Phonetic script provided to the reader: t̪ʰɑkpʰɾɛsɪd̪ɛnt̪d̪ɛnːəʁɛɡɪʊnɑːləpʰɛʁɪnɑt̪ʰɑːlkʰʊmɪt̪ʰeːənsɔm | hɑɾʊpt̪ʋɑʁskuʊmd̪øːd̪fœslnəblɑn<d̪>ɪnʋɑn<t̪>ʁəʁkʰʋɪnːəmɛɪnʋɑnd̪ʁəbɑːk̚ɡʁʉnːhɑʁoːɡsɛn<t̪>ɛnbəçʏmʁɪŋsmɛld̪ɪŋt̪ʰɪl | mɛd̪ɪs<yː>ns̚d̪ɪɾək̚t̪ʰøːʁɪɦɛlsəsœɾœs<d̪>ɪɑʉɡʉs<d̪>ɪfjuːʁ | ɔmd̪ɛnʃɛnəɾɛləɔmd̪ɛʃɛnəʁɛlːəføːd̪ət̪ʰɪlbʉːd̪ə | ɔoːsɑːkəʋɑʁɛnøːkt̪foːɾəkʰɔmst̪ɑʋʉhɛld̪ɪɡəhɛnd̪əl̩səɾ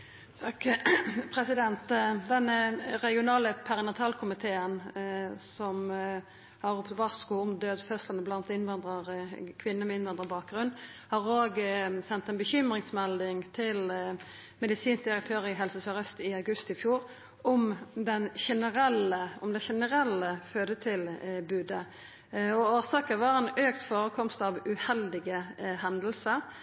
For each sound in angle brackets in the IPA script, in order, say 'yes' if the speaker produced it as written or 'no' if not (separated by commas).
no, no, yes, no, no, no